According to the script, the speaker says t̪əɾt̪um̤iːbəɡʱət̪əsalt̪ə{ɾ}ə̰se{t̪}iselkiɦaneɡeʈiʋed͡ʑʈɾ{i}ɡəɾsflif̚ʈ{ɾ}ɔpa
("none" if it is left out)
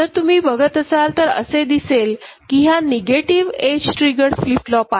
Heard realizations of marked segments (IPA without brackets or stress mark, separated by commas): ɾ, d̪, i, l